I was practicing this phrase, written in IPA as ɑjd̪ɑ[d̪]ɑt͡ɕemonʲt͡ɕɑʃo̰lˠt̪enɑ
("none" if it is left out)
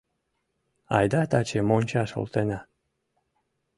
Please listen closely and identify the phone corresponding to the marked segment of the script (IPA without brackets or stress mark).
t̪